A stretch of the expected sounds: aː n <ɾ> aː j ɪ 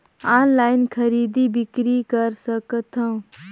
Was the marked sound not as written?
yes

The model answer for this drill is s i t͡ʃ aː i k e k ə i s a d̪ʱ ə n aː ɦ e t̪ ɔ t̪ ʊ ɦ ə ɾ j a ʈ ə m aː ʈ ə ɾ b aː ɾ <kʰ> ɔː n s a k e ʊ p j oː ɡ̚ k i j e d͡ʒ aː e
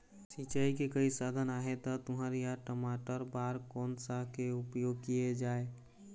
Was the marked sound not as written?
yes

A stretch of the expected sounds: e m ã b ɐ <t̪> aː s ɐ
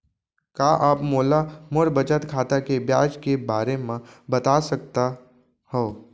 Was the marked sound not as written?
no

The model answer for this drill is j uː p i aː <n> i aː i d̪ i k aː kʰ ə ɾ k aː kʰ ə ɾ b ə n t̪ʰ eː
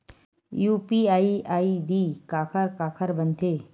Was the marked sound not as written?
yes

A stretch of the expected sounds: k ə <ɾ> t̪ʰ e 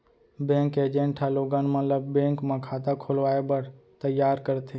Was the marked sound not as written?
no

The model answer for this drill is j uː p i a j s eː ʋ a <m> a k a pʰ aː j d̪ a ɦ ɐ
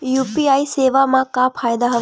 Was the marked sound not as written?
no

